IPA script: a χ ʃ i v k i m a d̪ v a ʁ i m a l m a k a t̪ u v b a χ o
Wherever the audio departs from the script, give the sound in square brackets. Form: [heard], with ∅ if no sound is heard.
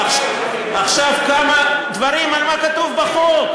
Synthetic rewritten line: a χ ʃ [a] v k [a] m a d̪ v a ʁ i m a l m a k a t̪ u v b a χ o